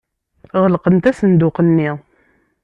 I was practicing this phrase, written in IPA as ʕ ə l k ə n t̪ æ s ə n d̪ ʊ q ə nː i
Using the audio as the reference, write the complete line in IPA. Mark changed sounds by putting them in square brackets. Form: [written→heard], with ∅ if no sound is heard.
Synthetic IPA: [ʕ→ʁ] ə l [k→q] ə n t̪ æ s ə n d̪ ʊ q ə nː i